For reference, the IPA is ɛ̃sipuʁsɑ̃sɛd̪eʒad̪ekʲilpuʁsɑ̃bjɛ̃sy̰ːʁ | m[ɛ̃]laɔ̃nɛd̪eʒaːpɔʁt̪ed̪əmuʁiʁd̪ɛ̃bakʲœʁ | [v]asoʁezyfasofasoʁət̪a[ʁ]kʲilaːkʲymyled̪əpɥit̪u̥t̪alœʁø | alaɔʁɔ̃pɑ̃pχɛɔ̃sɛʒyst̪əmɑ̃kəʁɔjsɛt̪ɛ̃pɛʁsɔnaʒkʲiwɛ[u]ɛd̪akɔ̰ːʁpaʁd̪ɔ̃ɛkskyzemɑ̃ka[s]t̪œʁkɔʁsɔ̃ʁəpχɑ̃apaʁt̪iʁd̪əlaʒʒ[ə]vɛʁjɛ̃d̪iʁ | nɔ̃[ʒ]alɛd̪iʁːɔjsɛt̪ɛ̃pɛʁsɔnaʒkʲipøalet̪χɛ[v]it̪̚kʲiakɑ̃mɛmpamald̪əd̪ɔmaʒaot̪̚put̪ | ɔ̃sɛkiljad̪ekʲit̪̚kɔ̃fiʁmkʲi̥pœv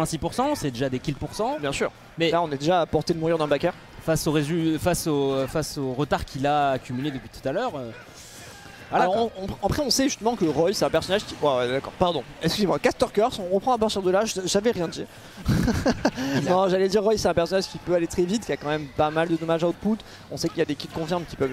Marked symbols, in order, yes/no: no, no, yes, no, yes, no, yes, yes

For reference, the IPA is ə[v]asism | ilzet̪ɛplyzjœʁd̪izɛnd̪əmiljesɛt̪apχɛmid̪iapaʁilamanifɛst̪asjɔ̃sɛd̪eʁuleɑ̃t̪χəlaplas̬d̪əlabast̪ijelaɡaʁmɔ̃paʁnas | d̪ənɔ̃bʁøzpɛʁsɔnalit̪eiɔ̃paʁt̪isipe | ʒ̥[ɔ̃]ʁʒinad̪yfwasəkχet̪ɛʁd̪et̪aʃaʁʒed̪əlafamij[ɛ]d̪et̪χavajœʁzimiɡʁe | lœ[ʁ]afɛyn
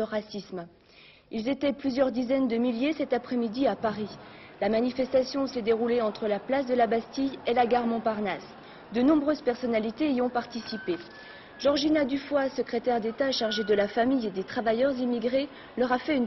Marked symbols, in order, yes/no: no, no, no, yes

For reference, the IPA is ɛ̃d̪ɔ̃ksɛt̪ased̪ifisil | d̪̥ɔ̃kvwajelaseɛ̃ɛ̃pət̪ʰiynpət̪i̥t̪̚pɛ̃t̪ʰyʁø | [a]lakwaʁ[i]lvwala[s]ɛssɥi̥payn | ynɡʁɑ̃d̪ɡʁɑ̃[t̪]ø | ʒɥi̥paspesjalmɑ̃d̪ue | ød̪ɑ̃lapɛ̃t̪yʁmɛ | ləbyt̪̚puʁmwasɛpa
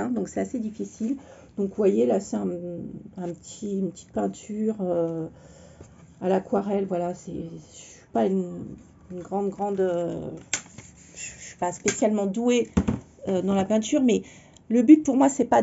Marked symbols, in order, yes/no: yes, no, yes, no

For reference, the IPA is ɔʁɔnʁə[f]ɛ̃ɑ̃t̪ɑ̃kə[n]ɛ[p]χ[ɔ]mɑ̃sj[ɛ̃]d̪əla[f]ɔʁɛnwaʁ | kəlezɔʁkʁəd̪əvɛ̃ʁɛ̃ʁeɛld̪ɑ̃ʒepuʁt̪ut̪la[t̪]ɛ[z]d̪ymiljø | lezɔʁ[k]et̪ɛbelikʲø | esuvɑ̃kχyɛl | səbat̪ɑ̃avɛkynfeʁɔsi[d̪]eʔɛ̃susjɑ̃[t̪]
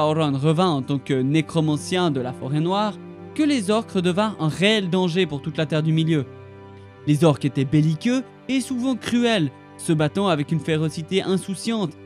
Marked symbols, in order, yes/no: no, yes, no, yes, yes, yes, yes, no, yes, no, yes

